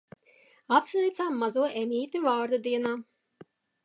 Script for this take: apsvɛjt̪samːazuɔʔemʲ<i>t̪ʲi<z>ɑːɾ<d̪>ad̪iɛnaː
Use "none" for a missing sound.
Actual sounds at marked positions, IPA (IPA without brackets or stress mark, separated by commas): iː, v, d̪